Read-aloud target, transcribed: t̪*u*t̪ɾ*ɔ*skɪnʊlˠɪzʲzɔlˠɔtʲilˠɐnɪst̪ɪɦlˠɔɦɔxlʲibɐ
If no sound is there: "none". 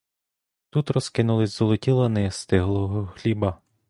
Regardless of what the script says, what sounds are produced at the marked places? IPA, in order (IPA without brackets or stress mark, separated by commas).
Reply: u, ɔ